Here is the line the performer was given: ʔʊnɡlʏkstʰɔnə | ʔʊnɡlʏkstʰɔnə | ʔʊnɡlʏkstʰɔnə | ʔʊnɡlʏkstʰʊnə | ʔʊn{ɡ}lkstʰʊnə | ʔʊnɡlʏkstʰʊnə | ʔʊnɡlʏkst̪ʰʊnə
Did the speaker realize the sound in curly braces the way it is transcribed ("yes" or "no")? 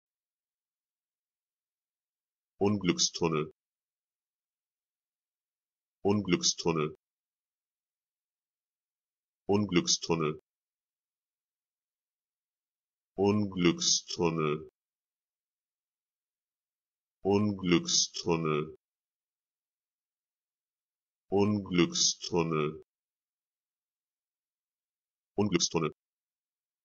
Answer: yes